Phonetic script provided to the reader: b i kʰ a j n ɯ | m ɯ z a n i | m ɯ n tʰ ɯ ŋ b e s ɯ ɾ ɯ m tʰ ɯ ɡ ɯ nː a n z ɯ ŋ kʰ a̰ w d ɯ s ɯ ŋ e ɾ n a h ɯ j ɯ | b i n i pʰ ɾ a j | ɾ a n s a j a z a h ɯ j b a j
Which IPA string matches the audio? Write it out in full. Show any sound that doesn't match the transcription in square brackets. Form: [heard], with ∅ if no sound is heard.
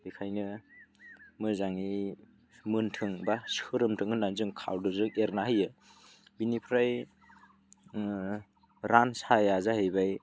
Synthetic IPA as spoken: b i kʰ a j n ɯ | m ɯ z a [ŋ] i | m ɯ n tʰ ɯ ŋ b [a] s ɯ ɾ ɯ m tʰ ɯ [ŋ] ɯ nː a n z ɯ ŋ kʰ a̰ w d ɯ [z] ɯ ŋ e ɾ n a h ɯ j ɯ | b i n i pʰ ɾ a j | ɾ a n s a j a z a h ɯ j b a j